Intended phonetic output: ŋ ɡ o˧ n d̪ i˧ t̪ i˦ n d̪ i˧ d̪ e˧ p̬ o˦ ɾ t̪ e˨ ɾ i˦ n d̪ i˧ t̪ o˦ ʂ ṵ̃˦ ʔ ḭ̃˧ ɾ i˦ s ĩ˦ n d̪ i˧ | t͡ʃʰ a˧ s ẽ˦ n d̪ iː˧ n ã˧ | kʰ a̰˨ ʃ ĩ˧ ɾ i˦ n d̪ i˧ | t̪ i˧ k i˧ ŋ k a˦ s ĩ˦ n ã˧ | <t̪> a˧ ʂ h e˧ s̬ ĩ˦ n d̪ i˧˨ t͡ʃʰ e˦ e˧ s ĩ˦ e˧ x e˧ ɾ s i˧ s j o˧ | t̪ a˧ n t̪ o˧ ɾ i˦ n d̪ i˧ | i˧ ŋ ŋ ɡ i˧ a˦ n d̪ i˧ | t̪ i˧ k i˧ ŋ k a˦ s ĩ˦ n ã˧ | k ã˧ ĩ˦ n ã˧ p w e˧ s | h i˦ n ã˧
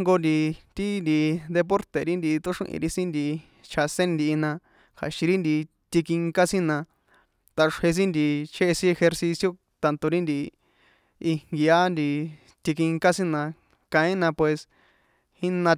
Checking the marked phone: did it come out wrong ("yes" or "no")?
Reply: no